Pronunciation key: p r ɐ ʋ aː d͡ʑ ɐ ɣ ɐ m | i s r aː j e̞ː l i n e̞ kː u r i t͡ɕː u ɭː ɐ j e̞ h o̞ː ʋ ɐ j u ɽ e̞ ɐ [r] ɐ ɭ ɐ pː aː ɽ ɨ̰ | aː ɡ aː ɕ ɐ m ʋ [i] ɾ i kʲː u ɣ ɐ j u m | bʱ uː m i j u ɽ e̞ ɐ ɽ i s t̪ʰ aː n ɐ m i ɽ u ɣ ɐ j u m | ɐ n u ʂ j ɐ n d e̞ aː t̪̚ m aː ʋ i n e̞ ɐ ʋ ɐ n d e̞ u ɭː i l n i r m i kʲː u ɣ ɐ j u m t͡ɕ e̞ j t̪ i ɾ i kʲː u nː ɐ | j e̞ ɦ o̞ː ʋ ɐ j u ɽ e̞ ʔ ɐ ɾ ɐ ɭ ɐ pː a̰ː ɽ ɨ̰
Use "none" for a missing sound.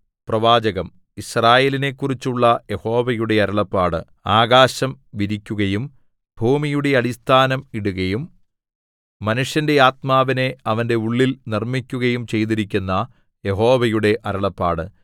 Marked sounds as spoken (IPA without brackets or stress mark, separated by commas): ɾ, i